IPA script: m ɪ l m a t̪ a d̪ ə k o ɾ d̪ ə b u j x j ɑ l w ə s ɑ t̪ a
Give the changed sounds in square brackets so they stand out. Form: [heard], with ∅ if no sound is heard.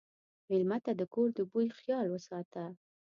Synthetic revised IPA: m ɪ l m a t̪ a d̪ ə k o ɾ d̪ ə b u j x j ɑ l w ə s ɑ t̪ a